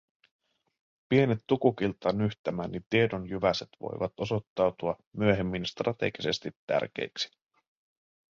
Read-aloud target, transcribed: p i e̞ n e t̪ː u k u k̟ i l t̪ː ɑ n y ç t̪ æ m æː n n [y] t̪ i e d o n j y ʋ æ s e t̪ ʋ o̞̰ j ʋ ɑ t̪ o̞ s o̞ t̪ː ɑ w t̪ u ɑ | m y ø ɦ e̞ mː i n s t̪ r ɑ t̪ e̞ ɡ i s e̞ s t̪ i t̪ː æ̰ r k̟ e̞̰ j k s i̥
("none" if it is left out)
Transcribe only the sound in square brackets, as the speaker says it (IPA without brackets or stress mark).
i